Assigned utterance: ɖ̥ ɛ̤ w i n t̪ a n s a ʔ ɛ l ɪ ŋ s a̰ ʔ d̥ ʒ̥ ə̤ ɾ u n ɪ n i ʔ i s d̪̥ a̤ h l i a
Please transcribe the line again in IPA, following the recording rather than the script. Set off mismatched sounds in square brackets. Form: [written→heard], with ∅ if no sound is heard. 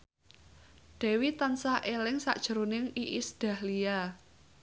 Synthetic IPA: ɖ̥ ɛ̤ w i [n→∅] t̪ a n s a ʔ [ɛ→e] l ɪ ŋ s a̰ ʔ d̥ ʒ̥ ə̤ ɾ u n ɪ [n→ŋ] i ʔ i s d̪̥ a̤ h l i a